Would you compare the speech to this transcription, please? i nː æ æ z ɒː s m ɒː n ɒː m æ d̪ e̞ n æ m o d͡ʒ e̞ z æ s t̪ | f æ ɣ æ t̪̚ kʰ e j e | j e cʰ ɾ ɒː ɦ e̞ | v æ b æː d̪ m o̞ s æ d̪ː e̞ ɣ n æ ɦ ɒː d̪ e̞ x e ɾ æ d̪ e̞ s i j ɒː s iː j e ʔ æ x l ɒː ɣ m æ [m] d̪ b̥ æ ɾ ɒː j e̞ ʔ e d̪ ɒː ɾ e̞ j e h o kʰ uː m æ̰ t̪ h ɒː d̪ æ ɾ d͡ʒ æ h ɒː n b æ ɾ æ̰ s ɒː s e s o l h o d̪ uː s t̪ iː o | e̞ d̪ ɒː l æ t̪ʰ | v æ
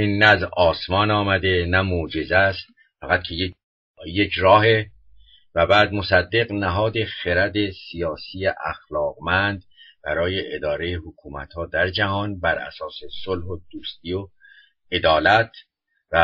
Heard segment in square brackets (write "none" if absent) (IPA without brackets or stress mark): n